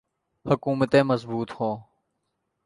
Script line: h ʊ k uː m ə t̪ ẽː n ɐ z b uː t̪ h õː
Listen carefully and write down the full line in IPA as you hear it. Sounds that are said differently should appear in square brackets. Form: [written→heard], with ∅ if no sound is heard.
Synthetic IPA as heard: h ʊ k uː m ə t̪ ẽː [n→m] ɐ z b uː t̪ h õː